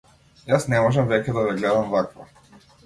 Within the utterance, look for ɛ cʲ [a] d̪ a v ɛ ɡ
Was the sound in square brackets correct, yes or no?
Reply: no